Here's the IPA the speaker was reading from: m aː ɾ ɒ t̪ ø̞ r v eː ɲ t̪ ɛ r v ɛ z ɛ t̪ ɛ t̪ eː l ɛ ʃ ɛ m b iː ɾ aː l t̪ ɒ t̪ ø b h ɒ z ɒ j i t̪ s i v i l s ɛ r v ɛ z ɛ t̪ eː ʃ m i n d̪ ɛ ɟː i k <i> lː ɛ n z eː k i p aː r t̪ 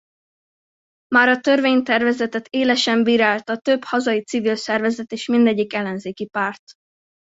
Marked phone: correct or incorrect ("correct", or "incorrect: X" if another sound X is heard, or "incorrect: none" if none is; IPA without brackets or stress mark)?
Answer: incorrect: ɛ